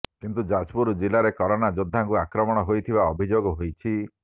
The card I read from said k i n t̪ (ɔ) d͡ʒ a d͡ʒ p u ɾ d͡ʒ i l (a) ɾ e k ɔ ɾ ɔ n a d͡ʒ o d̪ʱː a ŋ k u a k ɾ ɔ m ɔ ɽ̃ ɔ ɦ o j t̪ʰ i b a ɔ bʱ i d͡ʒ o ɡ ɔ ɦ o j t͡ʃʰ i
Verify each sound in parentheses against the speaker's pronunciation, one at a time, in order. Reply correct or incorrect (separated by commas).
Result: incorrect, correct